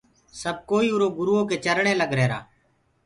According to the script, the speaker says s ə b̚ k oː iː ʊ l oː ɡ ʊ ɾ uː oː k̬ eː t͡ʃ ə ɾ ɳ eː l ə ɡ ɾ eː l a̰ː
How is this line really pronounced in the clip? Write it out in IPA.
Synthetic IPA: s ə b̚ k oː iː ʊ ɾ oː ɡ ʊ ɾ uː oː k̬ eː t͡ʃ ə ɾ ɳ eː l ə ɡ ɾ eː ɾ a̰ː